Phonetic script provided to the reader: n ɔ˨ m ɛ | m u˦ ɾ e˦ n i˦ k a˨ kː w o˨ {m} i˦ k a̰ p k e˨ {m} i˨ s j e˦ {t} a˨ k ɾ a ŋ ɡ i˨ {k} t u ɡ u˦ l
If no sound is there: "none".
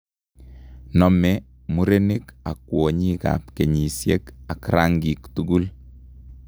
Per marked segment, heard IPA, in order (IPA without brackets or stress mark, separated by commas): ɲ, ɲ, k, k